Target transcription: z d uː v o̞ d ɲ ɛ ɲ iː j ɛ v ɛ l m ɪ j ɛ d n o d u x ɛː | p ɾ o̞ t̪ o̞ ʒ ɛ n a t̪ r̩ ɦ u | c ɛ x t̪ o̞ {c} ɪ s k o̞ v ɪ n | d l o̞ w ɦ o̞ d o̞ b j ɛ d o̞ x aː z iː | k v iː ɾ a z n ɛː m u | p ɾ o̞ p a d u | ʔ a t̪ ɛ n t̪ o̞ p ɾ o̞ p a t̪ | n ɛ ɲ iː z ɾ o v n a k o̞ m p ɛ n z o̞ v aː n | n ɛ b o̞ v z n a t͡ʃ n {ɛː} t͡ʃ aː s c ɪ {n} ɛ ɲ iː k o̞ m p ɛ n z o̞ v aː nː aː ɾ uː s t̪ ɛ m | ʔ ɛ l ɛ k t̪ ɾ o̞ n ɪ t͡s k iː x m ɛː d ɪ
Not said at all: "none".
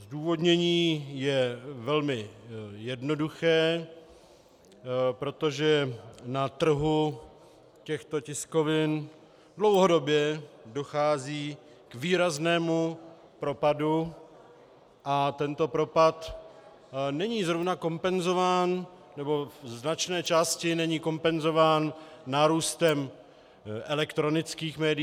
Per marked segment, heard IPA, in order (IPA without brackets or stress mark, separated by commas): c, ɛː, n